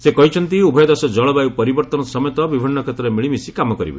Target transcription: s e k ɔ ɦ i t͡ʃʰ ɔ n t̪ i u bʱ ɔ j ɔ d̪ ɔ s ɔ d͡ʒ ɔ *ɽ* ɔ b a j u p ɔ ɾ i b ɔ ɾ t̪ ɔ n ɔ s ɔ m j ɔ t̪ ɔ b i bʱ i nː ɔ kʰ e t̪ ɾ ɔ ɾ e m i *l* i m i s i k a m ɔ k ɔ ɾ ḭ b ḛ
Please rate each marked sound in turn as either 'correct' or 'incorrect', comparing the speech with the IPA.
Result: incorrect: ɭ, incorrect: ɭ

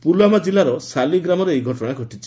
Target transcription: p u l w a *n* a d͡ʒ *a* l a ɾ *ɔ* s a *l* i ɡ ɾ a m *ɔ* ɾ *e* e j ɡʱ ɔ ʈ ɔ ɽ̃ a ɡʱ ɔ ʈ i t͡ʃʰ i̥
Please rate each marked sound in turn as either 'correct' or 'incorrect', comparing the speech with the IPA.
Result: incorrect: m, incorrect: i, correct, correct, correct, correct

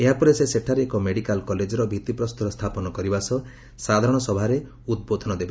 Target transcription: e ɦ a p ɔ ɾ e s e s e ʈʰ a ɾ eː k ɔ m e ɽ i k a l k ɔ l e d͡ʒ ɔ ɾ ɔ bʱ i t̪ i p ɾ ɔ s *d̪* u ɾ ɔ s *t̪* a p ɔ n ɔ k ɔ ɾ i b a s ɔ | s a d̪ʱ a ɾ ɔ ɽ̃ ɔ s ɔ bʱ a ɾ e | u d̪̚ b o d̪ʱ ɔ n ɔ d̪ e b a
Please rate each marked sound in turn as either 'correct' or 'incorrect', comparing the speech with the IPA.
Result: incorrect: t̪, incorrect: t̪ʰ

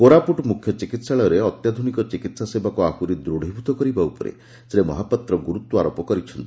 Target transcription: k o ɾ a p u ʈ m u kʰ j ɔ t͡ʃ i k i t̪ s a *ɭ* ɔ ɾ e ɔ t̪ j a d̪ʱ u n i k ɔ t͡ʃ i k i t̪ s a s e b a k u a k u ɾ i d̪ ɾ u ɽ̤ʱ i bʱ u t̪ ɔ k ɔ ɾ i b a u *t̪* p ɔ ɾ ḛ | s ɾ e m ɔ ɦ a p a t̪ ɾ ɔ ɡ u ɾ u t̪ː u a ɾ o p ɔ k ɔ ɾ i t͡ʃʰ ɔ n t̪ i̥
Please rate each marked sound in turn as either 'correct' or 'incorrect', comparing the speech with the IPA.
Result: correct, incorrect: none

